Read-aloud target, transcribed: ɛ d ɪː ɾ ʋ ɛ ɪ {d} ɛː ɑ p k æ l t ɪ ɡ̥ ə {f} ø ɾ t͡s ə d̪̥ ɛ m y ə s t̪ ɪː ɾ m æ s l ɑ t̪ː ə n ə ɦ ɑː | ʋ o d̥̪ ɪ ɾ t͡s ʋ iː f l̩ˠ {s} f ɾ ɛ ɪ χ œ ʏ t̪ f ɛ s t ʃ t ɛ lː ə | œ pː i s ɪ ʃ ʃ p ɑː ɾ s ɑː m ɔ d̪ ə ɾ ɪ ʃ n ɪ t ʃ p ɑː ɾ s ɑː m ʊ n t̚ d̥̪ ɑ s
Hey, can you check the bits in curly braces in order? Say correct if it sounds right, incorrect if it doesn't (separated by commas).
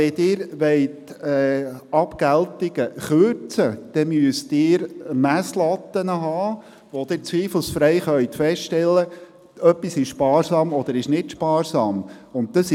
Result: incorrect, incorrect, correct